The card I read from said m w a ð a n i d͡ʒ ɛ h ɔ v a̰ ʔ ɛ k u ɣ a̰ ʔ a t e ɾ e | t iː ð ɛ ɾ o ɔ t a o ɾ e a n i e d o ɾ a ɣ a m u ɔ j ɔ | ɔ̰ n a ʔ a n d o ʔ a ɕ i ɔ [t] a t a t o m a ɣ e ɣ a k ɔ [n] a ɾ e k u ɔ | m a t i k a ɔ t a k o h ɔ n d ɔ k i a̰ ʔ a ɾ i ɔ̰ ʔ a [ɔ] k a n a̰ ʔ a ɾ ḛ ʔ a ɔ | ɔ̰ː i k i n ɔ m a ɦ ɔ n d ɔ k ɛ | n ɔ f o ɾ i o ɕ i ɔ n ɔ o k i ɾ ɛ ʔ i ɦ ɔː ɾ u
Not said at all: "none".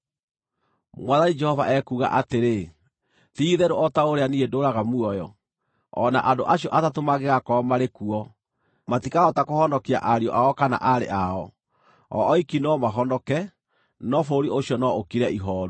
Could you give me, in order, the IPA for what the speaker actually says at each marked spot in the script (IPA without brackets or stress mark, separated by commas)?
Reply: ʔ, m, ɔ